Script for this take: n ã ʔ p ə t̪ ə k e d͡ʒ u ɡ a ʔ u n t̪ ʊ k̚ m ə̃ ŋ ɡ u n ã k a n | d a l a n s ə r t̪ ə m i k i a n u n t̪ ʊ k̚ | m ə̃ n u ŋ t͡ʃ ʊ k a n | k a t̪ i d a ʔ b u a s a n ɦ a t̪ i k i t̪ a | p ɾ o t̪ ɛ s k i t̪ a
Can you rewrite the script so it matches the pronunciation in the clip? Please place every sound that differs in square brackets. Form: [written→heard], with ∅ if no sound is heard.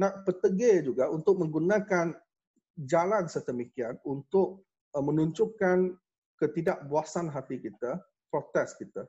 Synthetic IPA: n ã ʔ p ə t̪ ə [k→ɡ] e d͡ʒ u ɡ a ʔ u n t̪ ʊ k̚ m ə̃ ŋ ɡ u n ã k a n | [d→d͡ʒ] a l a n s ə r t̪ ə m i k i a n u n t̪ ʊ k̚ | m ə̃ n u [ŋ→ɲ] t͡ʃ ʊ k a n | k [a→ə] t̪ i d a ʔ b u a s a n ɦ a t̪ i k i t̪ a | p ɾ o t̪ ɛ s k i t̪ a